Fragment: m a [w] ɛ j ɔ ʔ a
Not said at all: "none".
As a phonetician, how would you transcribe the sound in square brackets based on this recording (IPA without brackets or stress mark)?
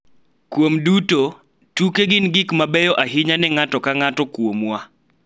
b